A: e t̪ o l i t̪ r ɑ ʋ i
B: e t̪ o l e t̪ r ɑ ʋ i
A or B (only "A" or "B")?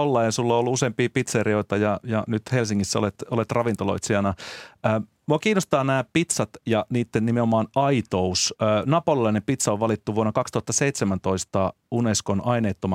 B